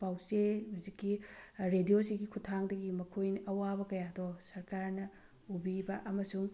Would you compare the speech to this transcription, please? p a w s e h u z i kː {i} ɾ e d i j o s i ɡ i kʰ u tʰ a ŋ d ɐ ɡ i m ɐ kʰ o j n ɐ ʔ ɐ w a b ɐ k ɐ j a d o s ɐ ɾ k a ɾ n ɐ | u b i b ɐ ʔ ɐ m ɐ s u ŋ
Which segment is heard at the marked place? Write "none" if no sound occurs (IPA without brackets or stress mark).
i